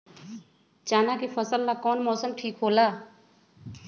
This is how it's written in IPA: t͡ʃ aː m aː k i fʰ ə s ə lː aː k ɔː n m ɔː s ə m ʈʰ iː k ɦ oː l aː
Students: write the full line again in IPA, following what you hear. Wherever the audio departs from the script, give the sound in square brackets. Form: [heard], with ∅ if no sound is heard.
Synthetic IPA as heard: t͡ʃ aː [n] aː k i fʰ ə s ə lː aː k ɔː n m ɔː s ə m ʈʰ iː k ɦ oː l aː